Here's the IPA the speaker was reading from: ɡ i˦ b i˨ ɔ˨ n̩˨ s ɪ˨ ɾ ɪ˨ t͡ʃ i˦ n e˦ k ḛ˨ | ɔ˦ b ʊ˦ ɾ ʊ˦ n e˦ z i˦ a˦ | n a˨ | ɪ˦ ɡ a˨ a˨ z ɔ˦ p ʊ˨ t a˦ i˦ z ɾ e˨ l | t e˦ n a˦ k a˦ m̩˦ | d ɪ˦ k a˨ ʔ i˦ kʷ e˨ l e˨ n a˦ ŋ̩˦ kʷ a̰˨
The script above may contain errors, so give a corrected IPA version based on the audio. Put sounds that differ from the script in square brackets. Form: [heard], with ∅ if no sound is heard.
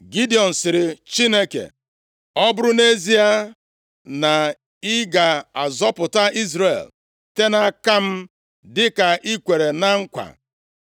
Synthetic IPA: ɡ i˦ [d] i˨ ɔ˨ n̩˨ s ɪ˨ ɾ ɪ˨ t͡ʃ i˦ n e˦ k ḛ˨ | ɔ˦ b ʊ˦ ɾ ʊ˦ n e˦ z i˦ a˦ | n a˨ | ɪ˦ ɡ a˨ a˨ z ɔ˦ p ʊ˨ t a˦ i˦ z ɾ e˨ l | t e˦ n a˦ k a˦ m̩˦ | d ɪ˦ k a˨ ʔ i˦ kʷ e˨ [ɾ] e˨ n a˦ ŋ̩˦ kʷ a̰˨